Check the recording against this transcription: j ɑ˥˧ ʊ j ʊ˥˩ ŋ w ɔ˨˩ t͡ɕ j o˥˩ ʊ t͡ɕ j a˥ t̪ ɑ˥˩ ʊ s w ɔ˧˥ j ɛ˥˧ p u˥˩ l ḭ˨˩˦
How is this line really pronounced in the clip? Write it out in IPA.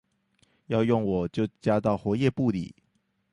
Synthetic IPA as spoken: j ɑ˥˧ ʊ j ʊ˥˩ ŋ w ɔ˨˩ t͡ɕ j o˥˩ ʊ t͡ɕ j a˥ t̪ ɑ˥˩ ʊ x w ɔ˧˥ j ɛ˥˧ p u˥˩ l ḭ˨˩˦